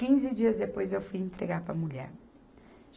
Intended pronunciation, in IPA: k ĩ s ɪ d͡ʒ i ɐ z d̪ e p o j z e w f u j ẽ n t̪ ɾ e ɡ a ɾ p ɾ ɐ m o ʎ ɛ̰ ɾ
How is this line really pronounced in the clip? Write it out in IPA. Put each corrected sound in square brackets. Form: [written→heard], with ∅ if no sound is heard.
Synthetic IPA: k ĩ [s→z] ɪ d͡ʒ i ɐ z d̪ e p o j z e w f u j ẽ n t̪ ɾ e ɡ a ɾ p ɾ ɐ m [o→u] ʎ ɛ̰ ɾ